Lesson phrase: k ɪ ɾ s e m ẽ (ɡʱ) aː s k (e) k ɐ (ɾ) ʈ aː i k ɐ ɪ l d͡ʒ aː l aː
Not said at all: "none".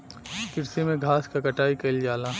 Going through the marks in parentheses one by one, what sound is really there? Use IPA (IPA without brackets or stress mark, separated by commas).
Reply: ɡʱ, a, none